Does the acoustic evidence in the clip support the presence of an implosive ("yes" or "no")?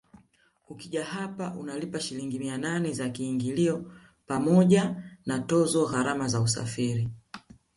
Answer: yes